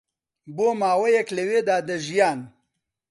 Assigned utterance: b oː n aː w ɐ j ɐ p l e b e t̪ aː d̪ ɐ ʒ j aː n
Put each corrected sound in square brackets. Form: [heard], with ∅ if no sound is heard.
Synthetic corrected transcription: b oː [m] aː w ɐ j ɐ [k] l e [w] e [d̪] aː d̪ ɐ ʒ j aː n